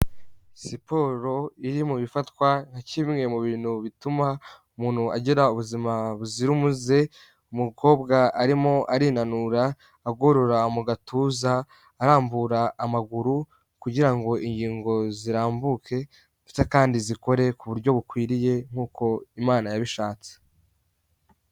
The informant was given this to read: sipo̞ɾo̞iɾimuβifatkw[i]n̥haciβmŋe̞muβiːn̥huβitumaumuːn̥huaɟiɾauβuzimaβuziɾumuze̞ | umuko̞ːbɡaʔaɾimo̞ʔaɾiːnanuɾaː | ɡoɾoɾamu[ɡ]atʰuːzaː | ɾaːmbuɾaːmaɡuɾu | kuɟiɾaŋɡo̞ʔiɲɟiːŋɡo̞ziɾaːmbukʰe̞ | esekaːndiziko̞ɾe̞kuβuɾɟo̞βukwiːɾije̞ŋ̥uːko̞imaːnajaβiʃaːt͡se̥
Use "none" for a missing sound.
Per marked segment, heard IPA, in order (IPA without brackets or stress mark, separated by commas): a, ɡ